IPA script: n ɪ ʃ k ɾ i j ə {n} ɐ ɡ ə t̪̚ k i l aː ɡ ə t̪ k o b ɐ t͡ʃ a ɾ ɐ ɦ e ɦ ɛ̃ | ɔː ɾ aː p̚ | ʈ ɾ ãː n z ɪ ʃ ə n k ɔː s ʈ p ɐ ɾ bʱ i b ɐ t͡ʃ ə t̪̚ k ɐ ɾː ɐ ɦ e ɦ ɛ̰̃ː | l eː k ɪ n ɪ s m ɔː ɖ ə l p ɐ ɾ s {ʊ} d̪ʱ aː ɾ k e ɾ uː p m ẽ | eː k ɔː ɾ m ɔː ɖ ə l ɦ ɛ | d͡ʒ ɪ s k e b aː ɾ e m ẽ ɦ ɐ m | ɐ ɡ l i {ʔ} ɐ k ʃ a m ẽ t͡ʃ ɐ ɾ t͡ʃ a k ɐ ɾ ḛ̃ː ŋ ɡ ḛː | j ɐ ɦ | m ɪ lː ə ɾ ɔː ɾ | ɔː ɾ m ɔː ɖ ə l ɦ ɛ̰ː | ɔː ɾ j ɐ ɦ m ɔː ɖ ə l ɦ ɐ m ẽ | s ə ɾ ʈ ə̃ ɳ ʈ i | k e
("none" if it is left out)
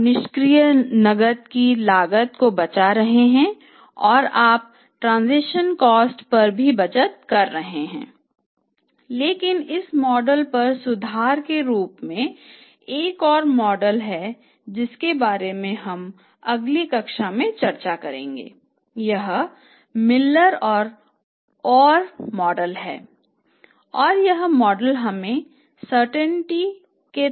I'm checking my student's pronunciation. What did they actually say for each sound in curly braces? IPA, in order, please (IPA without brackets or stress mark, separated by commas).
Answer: n, ʊ, k